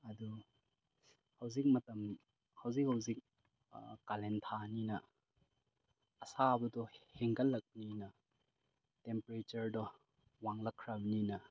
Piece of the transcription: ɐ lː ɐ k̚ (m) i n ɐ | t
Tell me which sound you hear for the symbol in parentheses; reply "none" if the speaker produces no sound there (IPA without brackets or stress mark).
n